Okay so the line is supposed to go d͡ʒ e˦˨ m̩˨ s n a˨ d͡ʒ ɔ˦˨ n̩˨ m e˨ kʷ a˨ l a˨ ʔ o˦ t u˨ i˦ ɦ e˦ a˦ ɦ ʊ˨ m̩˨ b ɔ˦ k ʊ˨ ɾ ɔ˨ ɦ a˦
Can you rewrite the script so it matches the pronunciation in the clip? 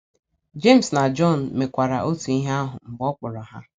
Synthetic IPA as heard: d͡ʒ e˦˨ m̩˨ s n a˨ d͡ʒ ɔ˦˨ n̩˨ m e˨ kʷ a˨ ɾ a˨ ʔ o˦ t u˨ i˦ ɦ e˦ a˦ ɦ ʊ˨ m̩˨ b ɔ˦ k͡p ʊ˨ ɾ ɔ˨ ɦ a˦